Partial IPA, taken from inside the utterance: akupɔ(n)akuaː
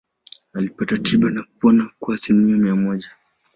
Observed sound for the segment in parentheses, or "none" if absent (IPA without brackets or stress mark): n